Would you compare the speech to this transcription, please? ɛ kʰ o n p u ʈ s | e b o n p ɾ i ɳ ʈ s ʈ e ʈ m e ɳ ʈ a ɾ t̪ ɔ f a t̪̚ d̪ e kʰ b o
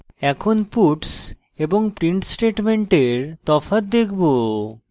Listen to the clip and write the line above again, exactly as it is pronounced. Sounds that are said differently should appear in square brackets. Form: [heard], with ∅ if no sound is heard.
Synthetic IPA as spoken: ɛ kʰ o n p u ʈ s | e b o [ŋ] p ɾ i ɳ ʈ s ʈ e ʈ m e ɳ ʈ [e] ɾ t̪ ɔ f a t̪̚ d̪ e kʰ b o